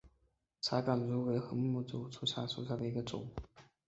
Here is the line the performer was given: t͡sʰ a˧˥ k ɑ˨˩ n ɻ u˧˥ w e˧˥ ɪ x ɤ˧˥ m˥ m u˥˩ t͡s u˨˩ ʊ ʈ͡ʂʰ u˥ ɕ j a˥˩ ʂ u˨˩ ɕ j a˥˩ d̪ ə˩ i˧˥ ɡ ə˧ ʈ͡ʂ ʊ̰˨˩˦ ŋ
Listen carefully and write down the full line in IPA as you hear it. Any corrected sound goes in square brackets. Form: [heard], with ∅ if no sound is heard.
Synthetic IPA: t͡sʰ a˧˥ k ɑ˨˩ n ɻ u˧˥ w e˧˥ ɪ x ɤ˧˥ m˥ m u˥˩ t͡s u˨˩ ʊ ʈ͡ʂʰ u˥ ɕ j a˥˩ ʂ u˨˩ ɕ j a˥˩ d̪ ə˩ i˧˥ ɡ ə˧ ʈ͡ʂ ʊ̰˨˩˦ ŋ

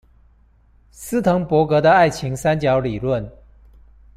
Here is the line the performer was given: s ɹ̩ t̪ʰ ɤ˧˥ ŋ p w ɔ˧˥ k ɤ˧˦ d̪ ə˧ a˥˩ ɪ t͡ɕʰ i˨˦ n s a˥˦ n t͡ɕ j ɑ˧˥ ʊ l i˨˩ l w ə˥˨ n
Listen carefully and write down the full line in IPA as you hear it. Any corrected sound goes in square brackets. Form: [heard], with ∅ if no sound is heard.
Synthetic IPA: s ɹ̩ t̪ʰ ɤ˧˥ ŋ p w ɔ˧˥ k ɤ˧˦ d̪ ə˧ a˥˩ ɪ t͡ɕʰ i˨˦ [ŋ] s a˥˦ n t͡ɕ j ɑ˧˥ ʊ l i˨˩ l w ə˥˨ n

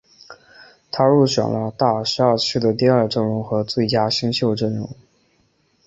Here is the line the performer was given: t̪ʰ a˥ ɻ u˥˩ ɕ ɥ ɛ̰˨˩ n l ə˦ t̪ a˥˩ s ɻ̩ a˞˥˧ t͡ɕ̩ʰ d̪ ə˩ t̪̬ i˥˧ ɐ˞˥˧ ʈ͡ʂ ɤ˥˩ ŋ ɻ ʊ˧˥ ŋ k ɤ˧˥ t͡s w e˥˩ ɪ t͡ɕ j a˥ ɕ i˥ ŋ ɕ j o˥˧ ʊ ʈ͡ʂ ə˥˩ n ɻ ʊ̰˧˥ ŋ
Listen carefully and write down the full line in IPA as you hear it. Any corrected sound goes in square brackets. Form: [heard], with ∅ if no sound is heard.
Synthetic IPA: t̪ʰ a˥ ɻ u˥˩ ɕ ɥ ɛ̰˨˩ n l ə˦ t̪ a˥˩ [ʂ] ɻ̩ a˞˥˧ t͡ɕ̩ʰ d̪ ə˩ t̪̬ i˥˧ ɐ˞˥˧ ʈ͡ʂ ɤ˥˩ ŋ ɻ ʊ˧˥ ŋ [x] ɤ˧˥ t͡s w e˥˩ ɪ t͡ɕ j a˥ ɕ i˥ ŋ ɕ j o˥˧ ʊ ʈ͡ʂ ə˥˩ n ɻ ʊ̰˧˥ ŋ

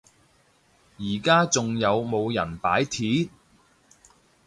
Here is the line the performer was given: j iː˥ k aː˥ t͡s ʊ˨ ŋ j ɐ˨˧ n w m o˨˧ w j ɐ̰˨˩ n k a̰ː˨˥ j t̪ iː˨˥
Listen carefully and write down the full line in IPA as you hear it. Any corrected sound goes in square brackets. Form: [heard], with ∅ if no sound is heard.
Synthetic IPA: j [iː˨˩] k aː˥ t͡s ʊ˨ ŋ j ɐ˨˧ [∅] w m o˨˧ w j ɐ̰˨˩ n [p] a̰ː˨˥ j [t̪ʰ] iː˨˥

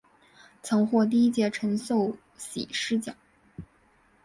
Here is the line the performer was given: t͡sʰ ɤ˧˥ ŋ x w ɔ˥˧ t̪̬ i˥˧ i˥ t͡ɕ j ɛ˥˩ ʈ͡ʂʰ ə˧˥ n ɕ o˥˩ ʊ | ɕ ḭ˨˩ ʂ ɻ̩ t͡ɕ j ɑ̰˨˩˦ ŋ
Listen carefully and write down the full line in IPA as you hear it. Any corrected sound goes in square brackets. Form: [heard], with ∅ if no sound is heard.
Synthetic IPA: t͡sʰ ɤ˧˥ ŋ x w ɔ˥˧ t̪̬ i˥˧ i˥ t͡ɕ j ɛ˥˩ ʈ͡ʂʰ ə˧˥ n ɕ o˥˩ ʊ | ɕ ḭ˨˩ ʂ ɻ̩ t͡ɕ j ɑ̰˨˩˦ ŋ

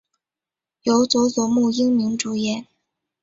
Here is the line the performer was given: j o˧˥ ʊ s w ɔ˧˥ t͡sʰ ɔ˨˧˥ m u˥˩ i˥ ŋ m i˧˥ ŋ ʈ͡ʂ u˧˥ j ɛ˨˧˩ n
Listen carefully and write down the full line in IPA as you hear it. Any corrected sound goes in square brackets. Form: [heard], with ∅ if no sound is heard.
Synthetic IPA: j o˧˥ ʊ [t͡s] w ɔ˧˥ [t͡s] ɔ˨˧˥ m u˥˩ i˥ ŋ m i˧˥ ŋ ʈ͡ʂ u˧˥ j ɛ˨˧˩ n

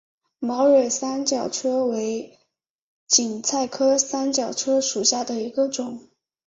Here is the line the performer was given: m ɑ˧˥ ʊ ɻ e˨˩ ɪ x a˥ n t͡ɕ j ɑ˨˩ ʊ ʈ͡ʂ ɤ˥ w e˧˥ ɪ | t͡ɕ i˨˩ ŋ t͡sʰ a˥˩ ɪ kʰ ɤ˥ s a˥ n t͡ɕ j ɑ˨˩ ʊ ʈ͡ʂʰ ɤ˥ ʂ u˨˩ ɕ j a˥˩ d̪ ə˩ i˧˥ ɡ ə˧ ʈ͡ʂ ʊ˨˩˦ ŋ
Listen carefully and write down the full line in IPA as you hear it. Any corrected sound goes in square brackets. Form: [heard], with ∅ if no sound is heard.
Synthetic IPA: m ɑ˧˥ ʊ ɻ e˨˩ ɪ [s] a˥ n t͡ɕ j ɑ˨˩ ʊ [ʈ͡ʂʰ] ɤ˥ w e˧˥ ɪ | t͡ɕ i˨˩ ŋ t͡sʰ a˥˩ ɪ kʰ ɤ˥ s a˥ n t͡ɕ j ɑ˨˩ ʊ ʈ͡ʂʰ ɤ˥ ʂ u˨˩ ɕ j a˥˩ d̪ ə˩ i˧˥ ɡ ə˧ ʈ͡ʂ ʊ˨˩˦ ŋ

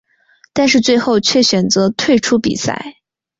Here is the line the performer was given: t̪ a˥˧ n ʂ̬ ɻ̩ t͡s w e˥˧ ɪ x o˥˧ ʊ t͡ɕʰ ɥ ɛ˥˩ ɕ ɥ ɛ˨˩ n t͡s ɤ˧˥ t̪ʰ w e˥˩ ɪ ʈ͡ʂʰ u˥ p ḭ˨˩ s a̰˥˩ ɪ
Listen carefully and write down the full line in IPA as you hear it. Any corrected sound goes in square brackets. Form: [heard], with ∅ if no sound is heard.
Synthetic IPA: t̪ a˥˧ n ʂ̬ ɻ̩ t͡s w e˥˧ ɪ x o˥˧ ʊ t͡ɕʰ ɥ ɛ˥˩ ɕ ɥ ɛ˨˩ n t͡s ɤ˧˥ t̪ʰ w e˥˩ ɪ ʈ͡ʂʰ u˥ p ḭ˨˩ s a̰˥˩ ɪ

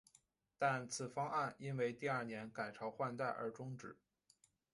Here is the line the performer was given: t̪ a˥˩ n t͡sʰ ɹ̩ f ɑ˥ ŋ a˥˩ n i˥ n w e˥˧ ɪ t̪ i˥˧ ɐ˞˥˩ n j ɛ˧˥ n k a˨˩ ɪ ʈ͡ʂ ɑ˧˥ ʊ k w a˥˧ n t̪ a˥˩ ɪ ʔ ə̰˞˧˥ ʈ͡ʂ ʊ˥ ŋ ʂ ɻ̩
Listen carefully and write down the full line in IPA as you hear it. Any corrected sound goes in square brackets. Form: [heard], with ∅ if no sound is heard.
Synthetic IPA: t̪ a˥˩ n t͡sʰ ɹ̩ f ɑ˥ ŋ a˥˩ n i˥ n w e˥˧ ɪ t̪ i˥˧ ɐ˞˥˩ n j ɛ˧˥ n k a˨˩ ɪ [ʈ͡ʂʰ] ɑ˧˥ ʊ [x] w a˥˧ n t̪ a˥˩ ɪ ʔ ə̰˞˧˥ ʈ͡ʂ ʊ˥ ŋ [ʈ͡ʂ] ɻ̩

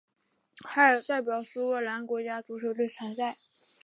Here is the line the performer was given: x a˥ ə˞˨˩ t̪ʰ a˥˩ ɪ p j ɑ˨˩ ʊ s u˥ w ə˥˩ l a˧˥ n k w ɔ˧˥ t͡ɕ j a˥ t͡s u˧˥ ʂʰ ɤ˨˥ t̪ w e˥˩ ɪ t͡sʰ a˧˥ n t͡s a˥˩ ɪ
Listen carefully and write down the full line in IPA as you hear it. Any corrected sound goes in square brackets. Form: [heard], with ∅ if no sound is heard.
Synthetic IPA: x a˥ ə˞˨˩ [t̪] a˥˩ ɪ p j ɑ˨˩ ʊ s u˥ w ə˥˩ l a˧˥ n k w ɔ˧˥ t͡ɕ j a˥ t͡s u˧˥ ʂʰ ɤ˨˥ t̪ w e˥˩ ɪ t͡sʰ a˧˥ n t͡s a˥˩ ɪ

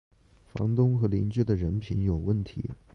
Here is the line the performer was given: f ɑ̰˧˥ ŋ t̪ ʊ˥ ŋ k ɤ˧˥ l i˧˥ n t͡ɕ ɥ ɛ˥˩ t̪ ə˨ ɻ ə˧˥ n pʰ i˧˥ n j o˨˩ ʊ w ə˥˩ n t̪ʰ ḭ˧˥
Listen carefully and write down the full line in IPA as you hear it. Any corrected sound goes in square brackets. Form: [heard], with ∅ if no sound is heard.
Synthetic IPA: f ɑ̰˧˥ ŋ t̪ ʊ˥ ŋ [x] ɤ˧˥ l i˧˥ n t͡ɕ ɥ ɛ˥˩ [d̪] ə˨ ɻ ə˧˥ n pʰ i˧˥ n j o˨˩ ʊ w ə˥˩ n t̪ʰ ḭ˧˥

